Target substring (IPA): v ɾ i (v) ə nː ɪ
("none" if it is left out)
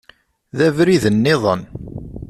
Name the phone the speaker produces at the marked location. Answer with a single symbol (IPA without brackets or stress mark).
ð